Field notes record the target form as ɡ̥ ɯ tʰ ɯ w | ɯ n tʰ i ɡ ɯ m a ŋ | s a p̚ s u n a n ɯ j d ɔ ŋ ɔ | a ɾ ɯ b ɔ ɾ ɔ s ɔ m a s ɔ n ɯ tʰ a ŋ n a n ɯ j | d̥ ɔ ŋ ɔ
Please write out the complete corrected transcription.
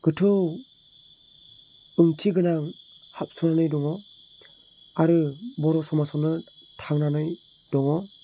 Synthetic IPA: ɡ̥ ɯ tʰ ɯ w | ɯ ŋ tʰ i ɡ ɯ n a ŋ | h a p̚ s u n a n ɯ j d ɔ ŋ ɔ | a ɾ ɯ b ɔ ɾ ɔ s ɔ m a s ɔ n ɯ tʰ a ŋ n a n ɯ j | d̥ ɔ ŋ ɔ